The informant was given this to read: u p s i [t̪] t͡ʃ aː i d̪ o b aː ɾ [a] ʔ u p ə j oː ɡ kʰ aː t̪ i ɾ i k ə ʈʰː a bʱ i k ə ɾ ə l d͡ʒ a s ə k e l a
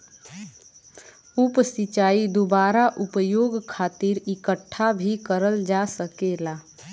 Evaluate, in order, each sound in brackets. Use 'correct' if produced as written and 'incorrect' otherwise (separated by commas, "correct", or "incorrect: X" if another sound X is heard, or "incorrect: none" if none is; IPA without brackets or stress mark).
incorrect: none, correct